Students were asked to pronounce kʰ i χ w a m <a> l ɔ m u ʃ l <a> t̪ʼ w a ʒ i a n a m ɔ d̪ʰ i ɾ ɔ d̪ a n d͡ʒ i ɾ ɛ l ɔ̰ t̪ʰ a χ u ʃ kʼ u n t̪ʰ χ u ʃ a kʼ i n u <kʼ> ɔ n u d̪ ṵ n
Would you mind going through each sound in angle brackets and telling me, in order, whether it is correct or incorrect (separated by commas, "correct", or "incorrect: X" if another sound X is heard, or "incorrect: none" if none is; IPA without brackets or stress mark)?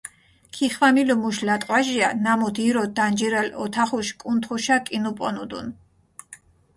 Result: incorrect: i, correct, incorrect: pʼ